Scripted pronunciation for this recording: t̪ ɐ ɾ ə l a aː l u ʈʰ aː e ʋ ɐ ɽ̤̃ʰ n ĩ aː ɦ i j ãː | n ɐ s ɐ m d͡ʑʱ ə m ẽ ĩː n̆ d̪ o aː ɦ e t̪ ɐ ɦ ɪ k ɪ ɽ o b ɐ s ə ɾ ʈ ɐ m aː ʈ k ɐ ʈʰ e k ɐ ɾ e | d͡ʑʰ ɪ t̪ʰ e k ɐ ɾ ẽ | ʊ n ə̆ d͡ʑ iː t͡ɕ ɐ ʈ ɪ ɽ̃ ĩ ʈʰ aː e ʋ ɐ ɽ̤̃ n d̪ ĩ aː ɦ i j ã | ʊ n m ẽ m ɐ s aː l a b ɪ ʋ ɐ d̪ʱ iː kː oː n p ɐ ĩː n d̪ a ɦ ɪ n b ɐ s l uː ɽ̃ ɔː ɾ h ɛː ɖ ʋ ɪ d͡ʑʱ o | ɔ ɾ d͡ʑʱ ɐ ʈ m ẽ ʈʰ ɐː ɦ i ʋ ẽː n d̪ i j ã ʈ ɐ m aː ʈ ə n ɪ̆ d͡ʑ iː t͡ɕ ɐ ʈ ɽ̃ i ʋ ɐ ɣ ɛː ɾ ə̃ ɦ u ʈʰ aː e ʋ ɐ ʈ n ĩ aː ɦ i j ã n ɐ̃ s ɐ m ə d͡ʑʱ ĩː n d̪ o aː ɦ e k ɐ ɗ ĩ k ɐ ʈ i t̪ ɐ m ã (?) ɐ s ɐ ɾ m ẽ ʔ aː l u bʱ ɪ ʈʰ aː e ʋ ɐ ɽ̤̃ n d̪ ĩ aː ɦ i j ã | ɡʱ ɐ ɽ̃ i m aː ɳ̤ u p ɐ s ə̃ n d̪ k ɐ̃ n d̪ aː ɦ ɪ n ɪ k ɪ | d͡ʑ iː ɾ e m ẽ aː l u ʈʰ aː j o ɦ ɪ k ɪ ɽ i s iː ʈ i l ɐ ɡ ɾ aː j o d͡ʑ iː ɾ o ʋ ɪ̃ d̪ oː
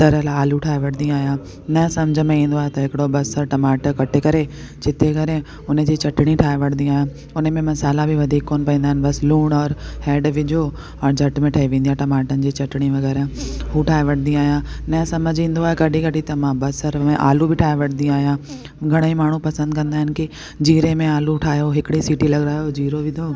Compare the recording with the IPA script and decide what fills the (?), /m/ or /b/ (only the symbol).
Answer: b